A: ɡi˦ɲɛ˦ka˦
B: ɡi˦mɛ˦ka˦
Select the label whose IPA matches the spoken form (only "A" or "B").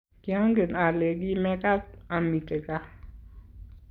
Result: B